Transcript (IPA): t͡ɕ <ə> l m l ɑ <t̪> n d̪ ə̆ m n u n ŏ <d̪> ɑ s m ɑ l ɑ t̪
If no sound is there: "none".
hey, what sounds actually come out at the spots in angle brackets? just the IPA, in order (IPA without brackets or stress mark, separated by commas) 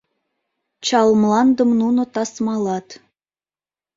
ɑ, none, t̪